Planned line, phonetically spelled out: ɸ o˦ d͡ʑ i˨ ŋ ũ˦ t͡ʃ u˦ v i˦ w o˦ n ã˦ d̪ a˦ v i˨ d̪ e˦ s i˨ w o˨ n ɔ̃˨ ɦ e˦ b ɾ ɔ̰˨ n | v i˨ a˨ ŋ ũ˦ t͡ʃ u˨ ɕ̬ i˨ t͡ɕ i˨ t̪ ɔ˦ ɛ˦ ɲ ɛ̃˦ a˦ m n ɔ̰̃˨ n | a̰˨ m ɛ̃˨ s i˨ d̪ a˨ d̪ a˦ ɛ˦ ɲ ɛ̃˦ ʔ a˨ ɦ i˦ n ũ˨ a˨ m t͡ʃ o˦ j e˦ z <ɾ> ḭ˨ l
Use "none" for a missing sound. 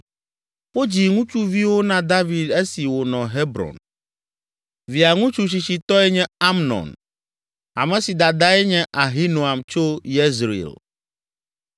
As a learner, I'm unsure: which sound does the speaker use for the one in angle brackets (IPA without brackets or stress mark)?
ɾ